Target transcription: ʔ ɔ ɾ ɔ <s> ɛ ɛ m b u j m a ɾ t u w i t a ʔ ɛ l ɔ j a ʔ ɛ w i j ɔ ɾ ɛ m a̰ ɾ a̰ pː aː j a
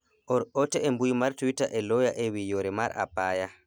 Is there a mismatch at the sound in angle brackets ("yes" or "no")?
yes